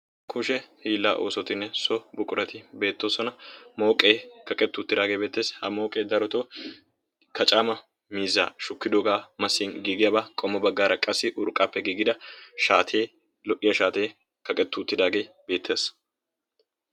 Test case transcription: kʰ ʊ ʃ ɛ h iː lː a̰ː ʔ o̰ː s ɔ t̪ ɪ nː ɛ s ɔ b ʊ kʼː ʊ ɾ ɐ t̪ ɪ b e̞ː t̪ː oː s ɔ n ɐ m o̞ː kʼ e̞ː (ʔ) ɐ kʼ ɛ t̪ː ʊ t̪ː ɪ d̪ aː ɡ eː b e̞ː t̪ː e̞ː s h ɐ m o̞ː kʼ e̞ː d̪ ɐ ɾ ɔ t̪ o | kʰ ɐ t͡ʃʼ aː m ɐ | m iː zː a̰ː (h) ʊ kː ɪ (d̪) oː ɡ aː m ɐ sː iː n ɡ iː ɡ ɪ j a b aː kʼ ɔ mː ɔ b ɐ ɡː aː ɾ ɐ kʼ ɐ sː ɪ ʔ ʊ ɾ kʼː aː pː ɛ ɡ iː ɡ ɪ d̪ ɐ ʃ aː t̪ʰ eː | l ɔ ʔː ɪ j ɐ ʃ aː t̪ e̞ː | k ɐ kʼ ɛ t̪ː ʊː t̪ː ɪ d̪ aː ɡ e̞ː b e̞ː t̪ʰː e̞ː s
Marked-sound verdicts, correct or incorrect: incorrect: k, incorrect: ʃ, correct

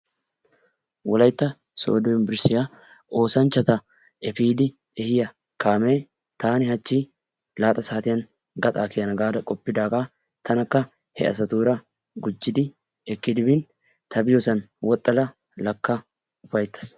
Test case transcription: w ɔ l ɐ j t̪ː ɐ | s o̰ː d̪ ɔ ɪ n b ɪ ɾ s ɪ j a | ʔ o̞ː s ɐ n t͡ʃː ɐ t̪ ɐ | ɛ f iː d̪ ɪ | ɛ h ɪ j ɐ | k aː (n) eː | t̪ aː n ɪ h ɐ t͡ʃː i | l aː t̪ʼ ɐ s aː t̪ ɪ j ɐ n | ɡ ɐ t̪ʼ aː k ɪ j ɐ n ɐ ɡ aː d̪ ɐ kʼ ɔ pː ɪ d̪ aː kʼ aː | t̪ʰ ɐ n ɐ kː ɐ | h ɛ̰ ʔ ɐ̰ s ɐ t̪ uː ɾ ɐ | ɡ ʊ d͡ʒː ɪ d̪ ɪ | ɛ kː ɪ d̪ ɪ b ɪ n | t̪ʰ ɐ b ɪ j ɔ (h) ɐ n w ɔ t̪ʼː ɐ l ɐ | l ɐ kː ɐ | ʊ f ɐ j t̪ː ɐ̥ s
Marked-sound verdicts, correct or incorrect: incorrect: m, incorrect: s

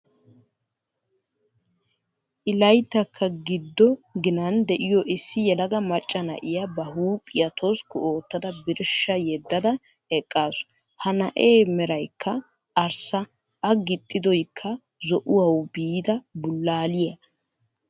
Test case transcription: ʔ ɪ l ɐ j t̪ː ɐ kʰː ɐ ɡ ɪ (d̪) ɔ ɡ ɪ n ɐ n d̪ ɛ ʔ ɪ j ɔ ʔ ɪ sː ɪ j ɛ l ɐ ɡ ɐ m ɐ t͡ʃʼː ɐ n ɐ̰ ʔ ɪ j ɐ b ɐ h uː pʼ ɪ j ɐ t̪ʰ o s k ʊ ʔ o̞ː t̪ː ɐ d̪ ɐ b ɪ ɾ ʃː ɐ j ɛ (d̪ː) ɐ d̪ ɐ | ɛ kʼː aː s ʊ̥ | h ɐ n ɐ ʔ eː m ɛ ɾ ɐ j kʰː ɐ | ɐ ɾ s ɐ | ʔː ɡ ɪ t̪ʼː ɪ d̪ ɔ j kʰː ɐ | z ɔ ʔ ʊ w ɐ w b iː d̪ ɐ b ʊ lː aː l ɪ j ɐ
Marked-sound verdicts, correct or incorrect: incorrect: d̪ː, correct

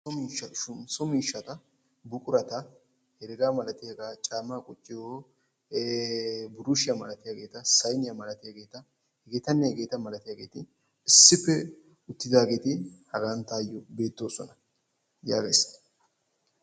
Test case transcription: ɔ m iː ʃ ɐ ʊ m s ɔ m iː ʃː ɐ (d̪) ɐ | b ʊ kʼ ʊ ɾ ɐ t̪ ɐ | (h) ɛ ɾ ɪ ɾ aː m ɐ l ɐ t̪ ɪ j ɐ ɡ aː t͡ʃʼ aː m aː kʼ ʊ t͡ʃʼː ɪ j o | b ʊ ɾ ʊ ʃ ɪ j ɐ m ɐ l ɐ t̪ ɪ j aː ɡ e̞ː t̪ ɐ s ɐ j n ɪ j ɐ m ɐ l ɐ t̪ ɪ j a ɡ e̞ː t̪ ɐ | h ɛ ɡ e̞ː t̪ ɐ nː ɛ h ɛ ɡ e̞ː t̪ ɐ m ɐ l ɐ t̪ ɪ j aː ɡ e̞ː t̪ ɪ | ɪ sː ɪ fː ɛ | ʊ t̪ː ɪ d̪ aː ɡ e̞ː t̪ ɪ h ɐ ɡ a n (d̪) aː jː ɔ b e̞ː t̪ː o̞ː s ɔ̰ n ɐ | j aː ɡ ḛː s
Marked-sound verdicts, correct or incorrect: incorrect: t̪, correct, incorrect: t̪

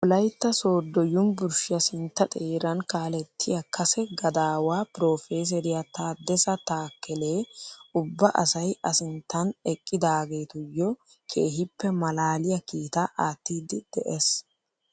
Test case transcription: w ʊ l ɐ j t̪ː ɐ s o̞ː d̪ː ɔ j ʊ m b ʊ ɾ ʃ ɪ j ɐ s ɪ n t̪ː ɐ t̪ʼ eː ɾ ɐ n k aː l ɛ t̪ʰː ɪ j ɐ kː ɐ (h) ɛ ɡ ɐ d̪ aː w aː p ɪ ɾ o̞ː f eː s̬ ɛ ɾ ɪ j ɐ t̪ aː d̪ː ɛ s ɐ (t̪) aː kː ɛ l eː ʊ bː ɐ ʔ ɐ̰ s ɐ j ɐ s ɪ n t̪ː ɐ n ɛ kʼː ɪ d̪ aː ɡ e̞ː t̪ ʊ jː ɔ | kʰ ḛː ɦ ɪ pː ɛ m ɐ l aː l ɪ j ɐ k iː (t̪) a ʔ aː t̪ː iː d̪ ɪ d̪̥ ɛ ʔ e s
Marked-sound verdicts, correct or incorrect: incorrect: s, correct, correct

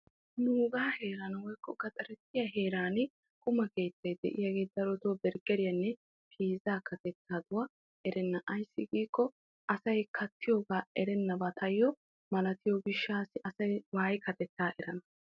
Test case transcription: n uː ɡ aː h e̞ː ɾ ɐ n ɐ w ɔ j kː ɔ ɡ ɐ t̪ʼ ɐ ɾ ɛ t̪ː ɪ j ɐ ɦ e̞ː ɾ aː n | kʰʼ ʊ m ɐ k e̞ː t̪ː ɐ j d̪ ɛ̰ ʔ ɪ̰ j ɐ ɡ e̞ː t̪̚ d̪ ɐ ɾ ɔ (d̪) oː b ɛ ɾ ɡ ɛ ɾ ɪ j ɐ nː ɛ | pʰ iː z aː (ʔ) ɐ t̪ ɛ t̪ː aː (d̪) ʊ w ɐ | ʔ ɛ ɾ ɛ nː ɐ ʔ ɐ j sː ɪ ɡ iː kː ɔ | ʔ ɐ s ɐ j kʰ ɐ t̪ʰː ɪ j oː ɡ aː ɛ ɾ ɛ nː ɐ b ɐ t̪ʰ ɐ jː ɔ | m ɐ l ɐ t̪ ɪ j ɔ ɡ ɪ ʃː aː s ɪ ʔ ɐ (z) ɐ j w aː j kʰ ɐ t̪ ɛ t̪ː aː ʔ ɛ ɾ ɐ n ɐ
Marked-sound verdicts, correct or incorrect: incorrect: t̪, incorrect: k, correct, incorrect: s

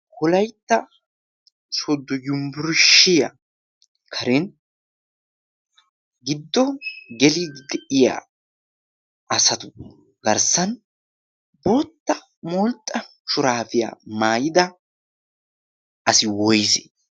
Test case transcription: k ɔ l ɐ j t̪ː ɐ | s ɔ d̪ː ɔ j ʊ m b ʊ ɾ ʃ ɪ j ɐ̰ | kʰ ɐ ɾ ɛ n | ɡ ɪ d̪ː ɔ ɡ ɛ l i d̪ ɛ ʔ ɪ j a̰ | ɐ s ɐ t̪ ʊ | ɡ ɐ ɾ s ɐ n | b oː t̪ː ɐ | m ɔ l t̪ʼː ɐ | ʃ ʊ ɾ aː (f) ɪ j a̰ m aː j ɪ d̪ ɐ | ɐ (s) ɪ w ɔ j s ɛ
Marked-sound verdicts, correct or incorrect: correct, correct

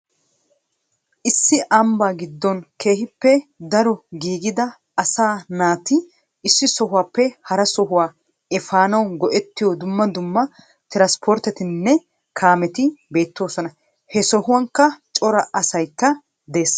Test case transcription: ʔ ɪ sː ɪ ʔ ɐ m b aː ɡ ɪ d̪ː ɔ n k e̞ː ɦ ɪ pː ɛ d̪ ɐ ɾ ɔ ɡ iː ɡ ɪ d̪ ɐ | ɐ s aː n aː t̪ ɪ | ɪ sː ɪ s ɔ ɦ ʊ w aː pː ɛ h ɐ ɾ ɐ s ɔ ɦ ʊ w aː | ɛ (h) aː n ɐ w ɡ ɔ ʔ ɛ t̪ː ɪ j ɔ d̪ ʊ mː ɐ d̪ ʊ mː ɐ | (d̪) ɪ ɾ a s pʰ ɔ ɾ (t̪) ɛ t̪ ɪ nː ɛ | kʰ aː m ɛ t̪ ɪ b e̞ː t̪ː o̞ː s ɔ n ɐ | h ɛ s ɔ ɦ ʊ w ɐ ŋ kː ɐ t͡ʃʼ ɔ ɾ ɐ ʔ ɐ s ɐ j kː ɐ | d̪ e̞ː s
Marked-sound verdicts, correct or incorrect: incorrect: f, incorrect: t̪, correct

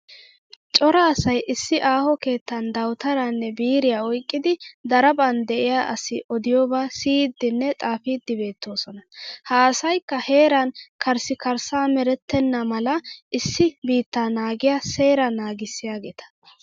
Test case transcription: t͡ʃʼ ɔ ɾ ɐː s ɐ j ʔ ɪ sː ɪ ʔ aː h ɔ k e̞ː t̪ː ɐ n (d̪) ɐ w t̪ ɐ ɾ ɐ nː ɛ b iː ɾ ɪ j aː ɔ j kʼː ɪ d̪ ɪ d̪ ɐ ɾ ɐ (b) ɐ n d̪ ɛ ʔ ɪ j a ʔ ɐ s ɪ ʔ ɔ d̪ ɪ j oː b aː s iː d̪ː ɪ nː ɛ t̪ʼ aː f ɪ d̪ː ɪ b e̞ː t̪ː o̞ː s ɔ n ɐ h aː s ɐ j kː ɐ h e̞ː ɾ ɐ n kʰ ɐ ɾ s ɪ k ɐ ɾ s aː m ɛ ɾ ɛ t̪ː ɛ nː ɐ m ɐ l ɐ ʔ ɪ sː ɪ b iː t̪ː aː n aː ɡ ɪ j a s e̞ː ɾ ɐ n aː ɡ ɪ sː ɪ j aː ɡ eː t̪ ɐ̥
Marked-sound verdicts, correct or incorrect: correct, correct

